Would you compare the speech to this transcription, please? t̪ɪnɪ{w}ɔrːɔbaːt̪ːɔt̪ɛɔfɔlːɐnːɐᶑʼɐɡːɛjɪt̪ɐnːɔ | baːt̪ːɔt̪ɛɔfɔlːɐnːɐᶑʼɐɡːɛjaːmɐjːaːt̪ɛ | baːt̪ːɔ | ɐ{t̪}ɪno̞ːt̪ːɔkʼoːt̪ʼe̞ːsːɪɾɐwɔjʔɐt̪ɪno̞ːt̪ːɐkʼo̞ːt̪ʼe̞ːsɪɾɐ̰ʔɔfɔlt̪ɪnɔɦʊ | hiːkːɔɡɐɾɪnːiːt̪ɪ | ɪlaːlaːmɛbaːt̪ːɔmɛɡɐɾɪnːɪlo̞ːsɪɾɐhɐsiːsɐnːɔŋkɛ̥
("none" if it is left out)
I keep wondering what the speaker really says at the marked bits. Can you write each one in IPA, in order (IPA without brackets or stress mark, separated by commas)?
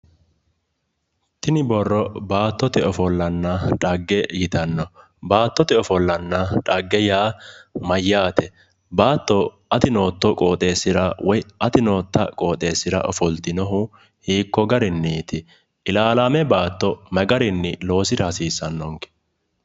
b, t̪